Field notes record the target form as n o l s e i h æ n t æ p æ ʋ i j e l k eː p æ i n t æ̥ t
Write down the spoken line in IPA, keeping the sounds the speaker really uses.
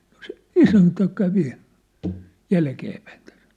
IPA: n o s e i s æ n t æ k æ ʋ i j æ l k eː p æ i n t æ̥ s

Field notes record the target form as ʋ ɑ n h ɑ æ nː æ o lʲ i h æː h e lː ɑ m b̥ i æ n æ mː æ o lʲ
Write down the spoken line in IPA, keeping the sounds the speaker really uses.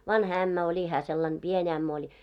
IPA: ʋ ɑ n h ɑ æ mː æ o lʲ i h æː s e lː ɑ n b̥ i e n æ mː æ o lʲ

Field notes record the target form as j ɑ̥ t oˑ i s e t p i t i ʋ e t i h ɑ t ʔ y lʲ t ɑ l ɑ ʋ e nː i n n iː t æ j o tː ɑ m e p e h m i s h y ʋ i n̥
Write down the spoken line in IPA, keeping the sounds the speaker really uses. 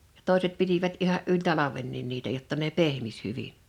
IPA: j ɑ̥ t oˑ i s e t p i t i ʋ æ t i h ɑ ʔ ʔ y lʲ t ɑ l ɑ ʋ e nː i n n iː t æ j o tː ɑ n e p e h m i s h y ʋ i n̥

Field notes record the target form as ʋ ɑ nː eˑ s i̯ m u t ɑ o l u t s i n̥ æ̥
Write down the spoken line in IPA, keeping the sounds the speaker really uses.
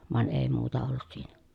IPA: ʋ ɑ n eˑ i̯ m uː t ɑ o lː u t s iː n̥ æ̥

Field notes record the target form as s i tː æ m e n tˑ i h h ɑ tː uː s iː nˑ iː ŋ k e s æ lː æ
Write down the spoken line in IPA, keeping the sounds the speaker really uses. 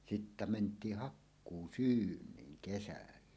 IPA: s i tː æ m e n tˑ iː h h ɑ kː uː s yː nˑ iː ŋ k e s æ lː æ

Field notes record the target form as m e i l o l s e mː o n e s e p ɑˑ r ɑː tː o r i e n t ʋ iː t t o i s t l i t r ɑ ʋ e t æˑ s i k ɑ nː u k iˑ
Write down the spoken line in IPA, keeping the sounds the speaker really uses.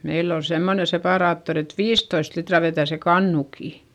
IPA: m e i lː o l s e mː o n e s e p ɑˑ r ɑː tː o r i e t ʋ iː s t o i s t l i t r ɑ ʋ e t æˑ s e k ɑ nː u k iˑ

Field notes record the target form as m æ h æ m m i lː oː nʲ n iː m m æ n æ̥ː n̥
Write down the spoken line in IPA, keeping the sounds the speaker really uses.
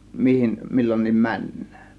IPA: m i h i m m i lː o nʲ n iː m m æ nː æ̥ː n̥

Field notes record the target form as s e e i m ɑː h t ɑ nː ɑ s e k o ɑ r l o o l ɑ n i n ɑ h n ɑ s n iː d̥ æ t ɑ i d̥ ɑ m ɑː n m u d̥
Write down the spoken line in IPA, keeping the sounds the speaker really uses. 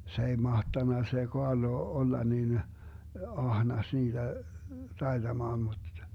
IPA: s e e i m ɑ h t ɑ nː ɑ s e k o ɑ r l o o lː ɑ n i n ɑ h n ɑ s n iː d̥ æ t ɑ i d̥ ɑ m ɑː n m u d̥

